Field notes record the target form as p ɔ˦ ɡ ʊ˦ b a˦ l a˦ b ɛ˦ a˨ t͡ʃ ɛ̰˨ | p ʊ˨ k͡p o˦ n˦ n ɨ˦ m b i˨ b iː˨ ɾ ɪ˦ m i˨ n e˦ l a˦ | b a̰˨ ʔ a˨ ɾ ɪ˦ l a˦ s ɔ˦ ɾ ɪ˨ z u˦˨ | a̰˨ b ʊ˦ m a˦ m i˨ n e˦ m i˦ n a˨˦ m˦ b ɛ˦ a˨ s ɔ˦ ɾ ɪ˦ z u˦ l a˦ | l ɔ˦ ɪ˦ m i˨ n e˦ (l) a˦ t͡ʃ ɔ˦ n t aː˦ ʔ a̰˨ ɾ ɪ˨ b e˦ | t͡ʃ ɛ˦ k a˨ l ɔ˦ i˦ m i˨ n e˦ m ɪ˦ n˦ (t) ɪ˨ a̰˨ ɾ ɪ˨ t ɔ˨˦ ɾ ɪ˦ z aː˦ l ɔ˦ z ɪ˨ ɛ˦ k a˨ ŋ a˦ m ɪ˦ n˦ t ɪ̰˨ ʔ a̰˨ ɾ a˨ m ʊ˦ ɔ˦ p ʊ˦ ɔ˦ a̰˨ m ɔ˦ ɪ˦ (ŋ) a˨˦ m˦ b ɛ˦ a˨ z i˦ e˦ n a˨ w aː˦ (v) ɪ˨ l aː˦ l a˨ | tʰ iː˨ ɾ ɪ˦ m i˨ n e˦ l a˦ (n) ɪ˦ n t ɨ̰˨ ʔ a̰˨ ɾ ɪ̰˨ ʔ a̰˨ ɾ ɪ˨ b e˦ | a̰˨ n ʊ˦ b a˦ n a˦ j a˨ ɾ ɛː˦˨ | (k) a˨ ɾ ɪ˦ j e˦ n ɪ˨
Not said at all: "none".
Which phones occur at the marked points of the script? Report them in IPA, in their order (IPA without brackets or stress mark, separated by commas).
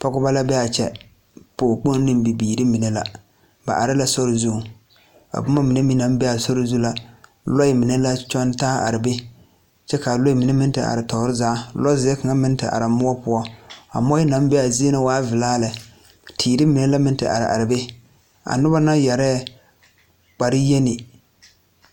l, t, n, v, m, k͡p